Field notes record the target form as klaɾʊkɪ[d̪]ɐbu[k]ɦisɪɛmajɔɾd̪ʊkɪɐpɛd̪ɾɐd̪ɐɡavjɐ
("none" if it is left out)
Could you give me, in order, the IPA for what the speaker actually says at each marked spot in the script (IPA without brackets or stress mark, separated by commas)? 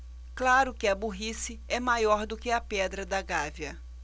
none, none